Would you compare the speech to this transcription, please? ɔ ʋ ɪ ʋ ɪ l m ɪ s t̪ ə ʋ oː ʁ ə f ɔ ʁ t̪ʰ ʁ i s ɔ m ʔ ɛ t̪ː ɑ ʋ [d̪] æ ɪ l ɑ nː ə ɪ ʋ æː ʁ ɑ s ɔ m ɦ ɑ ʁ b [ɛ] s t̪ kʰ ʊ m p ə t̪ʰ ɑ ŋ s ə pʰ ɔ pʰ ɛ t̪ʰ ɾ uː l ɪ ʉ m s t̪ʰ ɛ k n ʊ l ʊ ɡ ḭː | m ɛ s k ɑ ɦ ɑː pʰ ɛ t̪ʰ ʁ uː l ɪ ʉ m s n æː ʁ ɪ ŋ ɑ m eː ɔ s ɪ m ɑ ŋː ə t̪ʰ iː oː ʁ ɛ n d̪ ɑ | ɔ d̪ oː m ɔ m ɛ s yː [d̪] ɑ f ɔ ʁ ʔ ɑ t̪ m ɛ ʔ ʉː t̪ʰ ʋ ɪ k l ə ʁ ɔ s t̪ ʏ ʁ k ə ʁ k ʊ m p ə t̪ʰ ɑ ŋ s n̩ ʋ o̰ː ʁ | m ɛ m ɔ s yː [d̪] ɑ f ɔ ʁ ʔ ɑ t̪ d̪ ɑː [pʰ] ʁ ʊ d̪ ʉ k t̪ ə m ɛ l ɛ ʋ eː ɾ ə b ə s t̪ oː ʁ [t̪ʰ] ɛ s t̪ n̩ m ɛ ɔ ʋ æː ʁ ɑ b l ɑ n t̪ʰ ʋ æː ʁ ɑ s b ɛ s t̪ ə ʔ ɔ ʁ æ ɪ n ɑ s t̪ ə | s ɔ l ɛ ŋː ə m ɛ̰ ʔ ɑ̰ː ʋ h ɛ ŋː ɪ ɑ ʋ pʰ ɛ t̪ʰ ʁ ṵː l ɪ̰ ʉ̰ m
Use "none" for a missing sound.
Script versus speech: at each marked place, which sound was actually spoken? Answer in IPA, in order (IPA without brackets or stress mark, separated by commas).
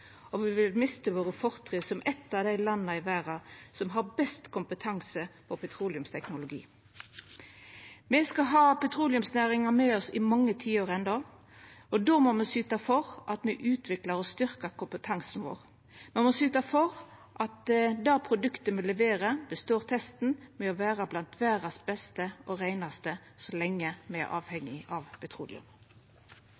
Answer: d̪, ɛ, t̪, t̪, pʰ, t̪ʰ